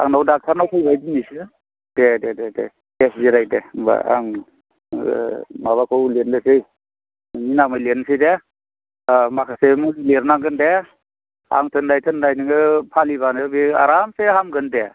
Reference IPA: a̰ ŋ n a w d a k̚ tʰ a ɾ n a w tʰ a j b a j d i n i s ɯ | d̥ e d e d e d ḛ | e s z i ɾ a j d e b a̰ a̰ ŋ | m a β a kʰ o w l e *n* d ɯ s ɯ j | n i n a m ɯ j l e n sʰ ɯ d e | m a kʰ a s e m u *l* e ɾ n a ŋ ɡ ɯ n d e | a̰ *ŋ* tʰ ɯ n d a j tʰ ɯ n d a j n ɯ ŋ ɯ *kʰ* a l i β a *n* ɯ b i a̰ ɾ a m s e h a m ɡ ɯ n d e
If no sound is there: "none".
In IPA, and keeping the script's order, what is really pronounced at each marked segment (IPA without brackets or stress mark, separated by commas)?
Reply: n, l, ŋ, pʰ, n